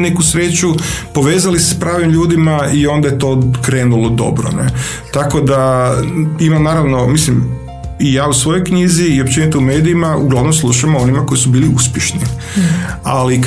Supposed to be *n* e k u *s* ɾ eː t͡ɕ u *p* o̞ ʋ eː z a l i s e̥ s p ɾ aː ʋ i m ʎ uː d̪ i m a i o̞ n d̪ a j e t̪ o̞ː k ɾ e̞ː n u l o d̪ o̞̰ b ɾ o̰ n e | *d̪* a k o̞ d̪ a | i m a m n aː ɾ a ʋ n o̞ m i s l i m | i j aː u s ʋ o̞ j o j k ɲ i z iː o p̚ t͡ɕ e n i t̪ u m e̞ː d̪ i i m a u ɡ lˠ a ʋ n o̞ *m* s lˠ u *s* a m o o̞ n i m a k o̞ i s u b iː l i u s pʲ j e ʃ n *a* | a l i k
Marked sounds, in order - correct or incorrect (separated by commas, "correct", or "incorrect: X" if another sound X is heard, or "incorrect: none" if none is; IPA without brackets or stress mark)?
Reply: correct, correct, correct, incorrect: t̪, correct, incorrect: ʃ, incorrect: i